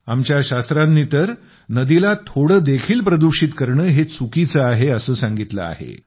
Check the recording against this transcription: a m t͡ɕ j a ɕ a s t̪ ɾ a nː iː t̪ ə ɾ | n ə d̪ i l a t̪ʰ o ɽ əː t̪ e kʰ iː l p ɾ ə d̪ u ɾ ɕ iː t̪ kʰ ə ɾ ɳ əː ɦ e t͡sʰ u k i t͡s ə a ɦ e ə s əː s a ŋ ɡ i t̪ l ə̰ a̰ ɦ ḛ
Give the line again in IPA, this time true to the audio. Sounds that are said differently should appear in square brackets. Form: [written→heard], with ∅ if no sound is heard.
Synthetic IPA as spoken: a m t͡ɕ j a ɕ a s t̪ ɾ a nː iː t̪ ə ɾ | n ə d̪ i l a t̪ʰ o ɽ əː [t̪→d̪] e kʰ iː l p ɾ ə d̪ u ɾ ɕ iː t̪ [kʰ→k] ə ɾ ɳ əː ɦ e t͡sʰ u k i t͡s ə a ɦ e ə s əː s a ŋ ɡ i t̪ l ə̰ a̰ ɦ ḛ